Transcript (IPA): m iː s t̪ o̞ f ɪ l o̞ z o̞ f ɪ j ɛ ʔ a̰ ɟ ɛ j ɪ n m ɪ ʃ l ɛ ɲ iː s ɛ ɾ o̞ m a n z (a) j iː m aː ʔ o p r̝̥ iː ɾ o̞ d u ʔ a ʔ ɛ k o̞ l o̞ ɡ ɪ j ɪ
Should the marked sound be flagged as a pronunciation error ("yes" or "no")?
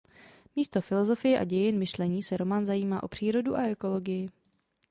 no